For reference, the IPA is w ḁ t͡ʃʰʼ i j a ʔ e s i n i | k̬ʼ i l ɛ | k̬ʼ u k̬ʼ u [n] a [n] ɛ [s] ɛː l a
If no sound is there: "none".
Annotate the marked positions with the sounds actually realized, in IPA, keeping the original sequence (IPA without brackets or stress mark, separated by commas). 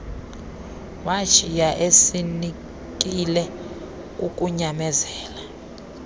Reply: ɲ, m, z